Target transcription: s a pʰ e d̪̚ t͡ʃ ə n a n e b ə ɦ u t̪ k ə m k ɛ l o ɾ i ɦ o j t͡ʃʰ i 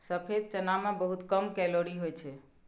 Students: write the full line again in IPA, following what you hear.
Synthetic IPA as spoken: s ə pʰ e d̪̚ t͡ʃ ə n a m e b ə ɦ u t̪ k ə m k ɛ l o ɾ i ɦ o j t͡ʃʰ ɛ

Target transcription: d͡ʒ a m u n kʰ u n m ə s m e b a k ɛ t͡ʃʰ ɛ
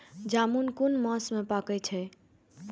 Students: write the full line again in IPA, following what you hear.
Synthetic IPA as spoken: d͡ʒ a m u n k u n m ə s m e p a k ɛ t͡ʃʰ ɛ

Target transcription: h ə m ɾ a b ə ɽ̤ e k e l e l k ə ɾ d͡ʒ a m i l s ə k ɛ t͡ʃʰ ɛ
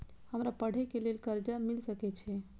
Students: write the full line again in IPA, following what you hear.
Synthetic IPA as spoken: h ə m ɾ a p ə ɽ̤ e k e l e l k ə ɾ d͡ʒ a m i l s ə k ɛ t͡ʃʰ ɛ

